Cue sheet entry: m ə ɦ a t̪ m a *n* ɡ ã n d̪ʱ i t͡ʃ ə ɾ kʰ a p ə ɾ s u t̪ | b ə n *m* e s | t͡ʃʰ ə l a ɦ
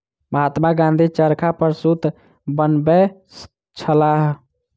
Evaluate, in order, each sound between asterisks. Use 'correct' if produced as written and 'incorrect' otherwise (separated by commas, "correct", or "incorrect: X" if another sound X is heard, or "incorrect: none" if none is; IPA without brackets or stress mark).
incorrect: none, incorrect: b